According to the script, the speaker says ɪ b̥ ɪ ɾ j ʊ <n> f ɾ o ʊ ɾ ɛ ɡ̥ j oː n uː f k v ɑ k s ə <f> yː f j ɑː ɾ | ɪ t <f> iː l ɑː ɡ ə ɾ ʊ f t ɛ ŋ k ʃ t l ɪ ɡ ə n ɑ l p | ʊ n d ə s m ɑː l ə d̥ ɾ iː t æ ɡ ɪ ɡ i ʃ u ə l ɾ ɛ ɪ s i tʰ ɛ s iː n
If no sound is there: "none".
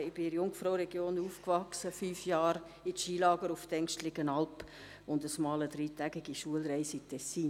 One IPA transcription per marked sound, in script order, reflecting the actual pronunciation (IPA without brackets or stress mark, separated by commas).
ŋ, f, ʃ